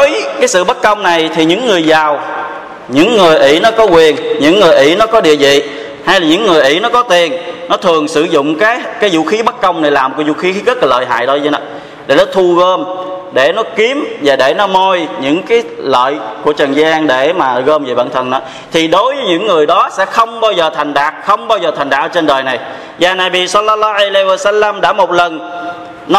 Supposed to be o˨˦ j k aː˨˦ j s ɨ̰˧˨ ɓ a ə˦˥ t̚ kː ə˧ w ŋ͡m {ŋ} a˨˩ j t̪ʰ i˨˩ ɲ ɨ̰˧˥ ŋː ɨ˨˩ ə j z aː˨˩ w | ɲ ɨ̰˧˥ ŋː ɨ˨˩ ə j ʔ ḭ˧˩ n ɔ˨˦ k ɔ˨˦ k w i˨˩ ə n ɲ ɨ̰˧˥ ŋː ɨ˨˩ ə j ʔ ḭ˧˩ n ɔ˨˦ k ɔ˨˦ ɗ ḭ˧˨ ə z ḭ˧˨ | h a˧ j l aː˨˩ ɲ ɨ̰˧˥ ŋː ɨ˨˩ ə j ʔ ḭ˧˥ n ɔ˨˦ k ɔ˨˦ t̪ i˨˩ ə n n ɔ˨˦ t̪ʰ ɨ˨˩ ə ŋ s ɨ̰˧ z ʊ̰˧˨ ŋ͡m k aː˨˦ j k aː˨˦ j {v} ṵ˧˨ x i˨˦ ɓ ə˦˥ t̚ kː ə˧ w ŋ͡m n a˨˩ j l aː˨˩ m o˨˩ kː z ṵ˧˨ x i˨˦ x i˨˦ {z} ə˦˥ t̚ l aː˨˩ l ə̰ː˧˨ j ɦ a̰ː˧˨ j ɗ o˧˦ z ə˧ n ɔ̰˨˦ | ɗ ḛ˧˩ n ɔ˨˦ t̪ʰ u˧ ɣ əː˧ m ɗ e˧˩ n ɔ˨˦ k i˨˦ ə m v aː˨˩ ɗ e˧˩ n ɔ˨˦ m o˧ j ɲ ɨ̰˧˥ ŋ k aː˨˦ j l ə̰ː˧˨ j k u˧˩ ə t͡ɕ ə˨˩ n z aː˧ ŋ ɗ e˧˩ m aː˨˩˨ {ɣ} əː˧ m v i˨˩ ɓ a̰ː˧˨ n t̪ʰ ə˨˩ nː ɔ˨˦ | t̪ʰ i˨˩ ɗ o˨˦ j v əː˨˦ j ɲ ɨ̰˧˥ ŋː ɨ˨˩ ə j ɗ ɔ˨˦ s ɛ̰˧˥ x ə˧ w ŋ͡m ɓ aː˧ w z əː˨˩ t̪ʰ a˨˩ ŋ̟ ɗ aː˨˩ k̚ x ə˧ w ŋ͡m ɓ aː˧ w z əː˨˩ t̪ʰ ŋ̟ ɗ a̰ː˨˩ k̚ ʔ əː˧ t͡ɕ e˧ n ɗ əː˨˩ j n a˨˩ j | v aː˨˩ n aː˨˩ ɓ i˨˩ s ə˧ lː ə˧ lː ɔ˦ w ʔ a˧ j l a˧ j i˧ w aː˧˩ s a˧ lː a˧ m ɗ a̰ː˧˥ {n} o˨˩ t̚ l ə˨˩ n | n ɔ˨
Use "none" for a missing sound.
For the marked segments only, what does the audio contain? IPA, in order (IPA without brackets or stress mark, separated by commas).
n, z, ɣ, ɣ, m